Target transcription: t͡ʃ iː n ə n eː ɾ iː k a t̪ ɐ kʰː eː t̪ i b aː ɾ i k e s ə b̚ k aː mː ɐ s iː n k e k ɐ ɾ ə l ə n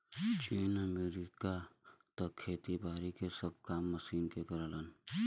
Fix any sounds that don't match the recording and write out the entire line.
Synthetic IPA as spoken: t͡ʃ iː n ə m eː ɾ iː k a t̪ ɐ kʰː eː t̪ i b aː ɾ i k e s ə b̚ k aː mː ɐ s iː n k e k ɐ ɾ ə l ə n